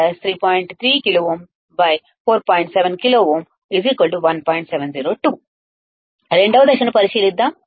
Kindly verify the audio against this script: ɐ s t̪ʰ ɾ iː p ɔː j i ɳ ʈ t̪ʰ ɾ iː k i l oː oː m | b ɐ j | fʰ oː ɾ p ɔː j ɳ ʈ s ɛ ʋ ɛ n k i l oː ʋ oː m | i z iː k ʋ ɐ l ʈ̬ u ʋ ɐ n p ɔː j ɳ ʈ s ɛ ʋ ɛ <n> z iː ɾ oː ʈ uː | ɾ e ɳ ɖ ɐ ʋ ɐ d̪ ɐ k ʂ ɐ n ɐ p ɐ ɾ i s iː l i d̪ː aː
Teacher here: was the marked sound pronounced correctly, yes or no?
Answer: yes